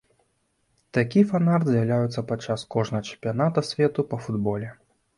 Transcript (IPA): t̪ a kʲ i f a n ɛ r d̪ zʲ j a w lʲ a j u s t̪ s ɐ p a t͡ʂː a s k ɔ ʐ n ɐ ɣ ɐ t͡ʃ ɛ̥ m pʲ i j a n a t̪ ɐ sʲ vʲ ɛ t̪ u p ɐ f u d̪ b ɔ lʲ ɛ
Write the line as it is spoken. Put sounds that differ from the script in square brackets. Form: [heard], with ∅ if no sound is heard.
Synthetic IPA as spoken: t̪ a kʲ i f a n [a] r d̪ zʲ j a w lʲ a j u [∅] t̪ s ɐ p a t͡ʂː a s k ɔ ʐ n ɐ ɣ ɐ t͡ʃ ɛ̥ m pʲ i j a n a t̪ ɐ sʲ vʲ ɛ t̪ u p ɐ f u d̪ b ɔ lʲ ɛ

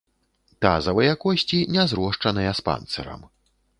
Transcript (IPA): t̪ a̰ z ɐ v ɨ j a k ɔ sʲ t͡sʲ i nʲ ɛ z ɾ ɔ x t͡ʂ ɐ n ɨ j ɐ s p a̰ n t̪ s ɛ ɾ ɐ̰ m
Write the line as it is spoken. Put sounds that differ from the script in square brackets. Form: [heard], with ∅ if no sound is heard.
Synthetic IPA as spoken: t̪ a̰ z ɐ v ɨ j a k ɔ sʲ t͡sʲ i nʲ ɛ z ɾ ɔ [ʂ] t͡ʂ ɐ n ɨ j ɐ s p a̰ n t̪ s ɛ ɾ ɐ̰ m

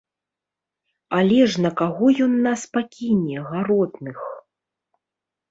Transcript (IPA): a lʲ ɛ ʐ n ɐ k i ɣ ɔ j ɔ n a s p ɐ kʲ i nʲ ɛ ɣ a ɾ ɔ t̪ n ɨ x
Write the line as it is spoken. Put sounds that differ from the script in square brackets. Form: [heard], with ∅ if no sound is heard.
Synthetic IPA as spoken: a lʲ ɛ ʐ n ɐ k [a] ɣ ɔ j ɔ [nː] a s p [a] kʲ i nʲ ɛ ɣ a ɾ ɔ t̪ n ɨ x

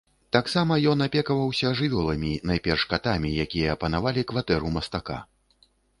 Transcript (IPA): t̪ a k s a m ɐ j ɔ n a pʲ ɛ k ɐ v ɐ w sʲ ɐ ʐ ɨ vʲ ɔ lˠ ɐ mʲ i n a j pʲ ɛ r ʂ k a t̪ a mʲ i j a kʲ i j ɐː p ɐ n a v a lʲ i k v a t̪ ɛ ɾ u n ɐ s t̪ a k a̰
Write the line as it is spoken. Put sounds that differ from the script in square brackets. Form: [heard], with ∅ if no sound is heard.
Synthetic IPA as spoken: t̪ a k s a m ɐ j ɔ n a pʲ ɛ k ɐ v ɐ w sʲ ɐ ʐ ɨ vʲ ɔ lˠ ɐ mʲ i n a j pʲ ɛ r ʂ k a t̪ a mʲ i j a kʲ i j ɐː p ɐ n a v a lʲ i k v a t̪ ɛ ɾ u [m] ɐ s t̪ a k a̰

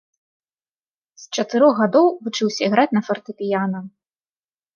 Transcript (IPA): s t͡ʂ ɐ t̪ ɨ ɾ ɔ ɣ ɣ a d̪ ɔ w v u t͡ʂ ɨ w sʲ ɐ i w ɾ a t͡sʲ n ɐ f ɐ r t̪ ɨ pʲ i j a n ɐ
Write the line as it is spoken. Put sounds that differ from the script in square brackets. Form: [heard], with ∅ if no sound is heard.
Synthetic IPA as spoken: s t͡ʂ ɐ t̪ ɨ ɾ ɔ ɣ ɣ a d̪ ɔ w v u t͡ʂ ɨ w sʲ ɐ i [ɣ] ɾ a t͡sʲ n ɐ f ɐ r t̪ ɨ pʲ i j a n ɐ

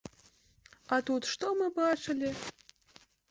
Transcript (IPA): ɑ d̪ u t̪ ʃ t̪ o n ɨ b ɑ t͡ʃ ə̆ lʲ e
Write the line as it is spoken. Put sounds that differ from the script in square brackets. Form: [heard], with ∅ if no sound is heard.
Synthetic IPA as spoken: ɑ [t̪] u t̪ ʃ t̪ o [m] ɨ b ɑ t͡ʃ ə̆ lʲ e

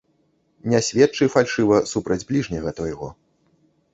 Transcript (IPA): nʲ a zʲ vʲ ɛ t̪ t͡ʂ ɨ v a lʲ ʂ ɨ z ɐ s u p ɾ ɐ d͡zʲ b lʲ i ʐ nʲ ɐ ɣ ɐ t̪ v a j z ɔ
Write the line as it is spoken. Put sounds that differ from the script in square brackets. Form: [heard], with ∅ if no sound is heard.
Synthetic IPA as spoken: nʲ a [sʲ] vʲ ɛ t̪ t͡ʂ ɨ [f] a lʲ ʂ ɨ [v] ɐ s u p ɾ ɐ d͡zʲ b lʲ i ʐ nʲ ɐ ɣ ɐ t̪ v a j [ɣ] ɔ

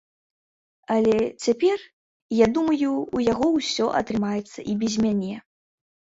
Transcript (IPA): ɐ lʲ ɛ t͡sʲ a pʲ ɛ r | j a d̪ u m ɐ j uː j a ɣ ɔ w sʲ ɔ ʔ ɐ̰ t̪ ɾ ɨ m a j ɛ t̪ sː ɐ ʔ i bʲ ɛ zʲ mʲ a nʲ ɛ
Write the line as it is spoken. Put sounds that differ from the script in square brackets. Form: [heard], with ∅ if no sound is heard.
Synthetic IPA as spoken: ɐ lʲ ɛ t͡sʲ a pʲ ɛ r | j a d̪ u m ɐ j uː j a ɣ ɔ w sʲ ɔ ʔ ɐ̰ t̪ ɾ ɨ m a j ɛ t̪ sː ɐ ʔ i bʲ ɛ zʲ mʲ a nʲ ɛ

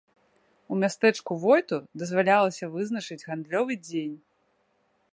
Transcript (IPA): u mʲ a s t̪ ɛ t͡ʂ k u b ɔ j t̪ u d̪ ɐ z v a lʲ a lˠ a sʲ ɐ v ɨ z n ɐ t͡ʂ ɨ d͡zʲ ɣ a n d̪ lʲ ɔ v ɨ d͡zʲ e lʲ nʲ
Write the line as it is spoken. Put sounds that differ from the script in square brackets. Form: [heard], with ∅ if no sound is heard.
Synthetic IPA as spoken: u mʲ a s t̪ ɛ t͡ʂ k u [v] ɔ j t̪ u d̪ ɐ z v a lʲ a lˠ [ɐ] sʲ ɐ v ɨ z n ɐ t͡ʂ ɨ d͡zʲ ɣ a n d̪ lʲ ɔ v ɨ d͡zʲ e [∅] nʲ

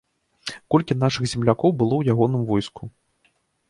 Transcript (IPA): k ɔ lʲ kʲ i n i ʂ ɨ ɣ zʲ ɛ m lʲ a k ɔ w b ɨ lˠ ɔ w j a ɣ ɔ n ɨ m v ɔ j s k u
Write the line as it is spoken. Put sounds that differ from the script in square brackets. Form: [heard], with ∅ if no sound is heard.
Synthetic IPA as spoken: k ɔ lʲ kʲ i n [a] ʂ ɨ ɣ zʲ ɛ m lʲ a k ɔ w b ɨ lˠ ɔ w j a ɣ ɔ n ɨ m v ɔ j s k u

